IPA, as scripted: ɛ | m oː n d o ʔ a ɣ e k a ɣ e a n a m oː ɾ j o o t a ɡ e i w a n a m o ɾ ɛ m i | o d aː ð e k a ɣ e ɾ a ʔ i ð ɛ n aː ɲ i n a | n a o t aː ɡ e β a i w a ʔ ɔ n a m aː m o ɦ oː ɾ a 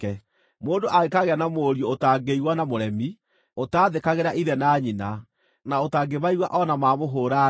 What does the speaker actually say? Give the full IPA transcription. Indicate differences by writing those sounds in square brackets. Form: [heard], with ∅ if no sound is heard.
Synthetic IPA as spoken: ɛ | m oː n d o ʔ a ɣ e k a ɣ e a n a m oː ɾ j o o t a ɡ e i w a n a m o ɾ ɛ m i | o [t] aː ð e k a ɣ e ɾ a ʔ i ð ɛ n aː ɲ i n a | n a o t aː ɡ e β a i w a ʔ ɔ n a m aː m o ɦ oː ɾ a